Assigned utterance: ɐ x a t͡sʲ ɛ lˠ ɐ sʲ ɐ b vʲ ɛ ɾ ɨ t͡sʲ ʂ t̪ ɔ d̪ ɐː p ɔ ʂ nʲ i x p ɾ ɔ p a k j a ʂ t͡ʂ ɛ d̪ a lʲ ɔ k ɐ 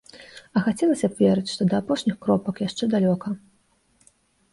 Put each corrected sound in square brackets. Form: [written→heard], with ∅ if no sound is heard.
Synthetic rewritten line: ɐ x a t͡sʲ ɛ lˠ ɐ sʲ ɐ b vʲ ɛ ɾ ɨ t͡sʲ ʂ t̪ ɔ d̪ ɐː p ɔ ʂ nʲ i x [p→k] ɾ ɔ p [a→ɐ] k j a ʂ t͡ʂ ɛ d̪ a lʲ ɔ k ɐ